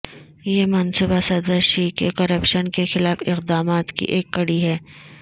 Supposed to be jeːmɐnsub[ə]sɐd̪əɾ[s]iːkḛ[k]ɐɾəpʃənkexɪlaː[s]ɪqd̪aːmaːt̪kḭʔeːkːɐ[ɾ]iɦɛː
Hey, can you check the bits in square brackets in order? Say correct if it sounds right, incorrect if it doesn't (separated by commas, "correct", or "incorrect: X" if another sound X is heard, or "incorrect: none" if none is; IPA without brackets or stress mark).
incorrect: a, incorrect: ʃ, correct, incorrect: f, incorrect: ɽ